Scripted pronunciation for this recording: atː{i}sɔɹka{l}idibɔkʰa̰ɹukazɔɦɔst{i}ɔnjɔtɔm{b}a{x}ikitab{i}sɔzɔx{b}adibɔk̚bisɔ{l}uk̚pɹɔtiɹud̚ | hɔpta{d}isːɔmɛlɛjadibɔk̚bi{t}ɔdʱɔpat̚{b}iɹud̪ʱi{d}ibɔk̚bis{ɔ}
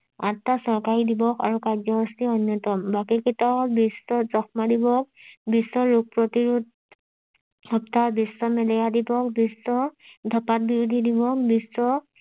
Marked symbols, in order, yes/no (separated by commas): no, no, yes, yes, no, yes, no, no, no, no, yes, yes, yes